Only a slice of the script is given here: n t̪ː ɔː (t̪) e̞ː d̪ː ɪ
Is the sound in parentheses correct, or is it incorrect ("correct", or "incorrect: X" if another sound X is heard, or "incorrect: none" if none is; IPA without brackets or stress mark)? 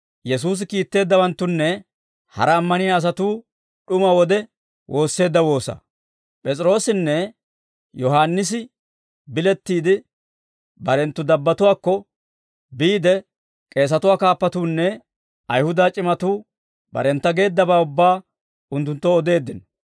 incorrect: d̪